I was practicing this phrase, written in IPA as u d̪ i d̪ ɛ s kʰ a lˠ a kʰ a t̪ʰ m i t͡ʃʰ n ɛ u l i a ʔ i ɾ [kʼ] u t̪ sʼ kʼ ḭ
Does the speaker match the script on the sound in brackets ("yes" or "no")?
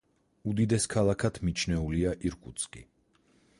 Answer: yes